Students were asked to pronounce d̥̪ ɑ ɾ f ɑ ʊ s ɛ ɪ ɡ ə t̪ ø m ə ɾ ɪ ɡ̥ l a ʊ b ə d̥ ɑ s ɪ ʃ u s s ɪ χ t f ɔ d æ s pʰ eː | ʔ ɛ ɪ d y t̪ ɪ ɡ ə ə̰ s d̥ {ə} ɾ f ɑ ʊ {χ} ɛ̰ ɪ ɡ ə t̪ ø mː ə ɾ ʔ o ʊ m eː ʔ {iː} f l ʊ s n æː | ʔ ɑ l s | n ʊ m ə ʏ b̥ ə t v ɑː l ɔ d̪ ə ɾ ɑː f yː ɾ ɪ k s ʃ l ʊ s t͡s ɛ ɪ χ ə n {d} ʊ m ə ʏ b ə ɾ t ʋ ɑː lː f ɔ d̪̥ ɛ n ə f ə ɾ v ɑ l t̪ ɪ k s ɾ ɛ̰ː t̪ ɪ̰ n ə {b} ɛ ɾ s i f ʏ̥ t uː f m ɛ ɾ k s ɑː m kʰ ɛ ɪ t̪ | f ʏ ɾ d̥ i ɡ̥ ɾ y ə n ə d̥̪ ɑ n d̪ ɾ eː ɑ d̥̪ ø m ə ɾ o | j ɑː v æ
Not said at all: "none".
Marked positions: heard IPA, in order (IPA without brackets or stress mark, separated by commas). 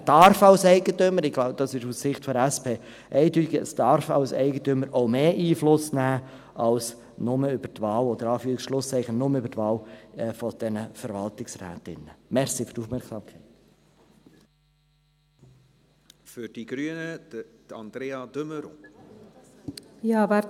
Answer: ɑ, s, iː, n, m